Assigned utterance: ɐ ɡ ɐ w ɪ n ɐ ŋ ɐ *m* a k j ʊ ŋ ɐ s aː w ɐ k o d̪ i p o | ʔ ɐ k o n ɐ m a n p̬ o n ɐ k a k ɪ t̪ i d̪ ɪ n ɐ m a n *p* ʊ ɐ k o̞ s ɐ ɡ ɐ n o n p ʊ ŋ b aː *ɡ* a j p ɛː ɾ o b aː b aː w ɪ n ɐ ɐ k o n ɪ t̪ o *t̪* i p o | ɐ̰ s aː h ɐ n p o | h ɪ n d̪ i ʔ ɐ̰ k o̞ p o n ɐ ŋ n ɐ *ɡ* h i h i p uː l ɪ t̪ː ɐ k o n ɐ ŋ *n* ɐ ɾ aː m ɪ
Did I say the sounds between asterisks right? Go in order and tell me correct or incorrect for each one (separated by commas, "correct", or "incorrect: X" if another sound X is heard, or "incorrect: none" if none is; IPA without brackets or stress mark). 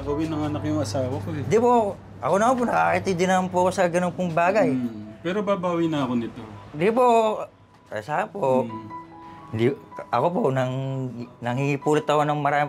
incorrect: n, correct, correct, incorrect: d̪, incorrect: ŋ, incorrect: m